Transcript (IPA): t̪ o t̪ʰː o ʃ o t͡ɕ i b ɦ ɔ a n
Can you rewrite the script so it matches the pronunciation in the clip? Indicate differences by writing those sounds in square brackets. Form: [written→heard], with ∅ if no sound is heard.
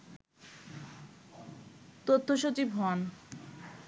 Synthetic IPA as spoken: t̪ o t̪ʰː o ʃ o t͡ɕ i b ɦ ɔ a n